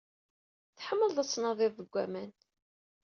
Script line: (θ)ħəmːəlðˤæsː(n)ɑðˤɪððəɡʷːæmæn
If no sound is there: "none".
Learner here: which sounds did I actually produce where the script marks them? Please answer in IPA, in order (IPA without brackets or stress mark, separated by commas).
θ, n